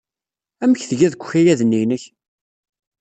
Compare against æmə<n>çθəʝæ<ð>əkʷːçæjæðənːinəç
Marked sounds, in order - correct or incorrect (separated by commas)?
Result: incorrect, correct